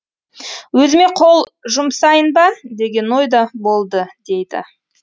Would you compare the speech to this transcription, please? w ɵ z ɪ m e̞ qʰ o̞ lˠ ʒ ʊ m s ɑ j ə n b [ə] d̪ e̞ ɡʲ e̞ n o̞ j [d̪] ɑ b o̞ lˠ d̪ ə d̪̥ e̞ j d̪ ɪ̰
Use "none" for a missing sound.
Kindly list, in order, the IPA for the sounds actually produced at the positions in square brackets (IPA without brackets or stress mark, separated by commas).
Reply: ɑ, d̪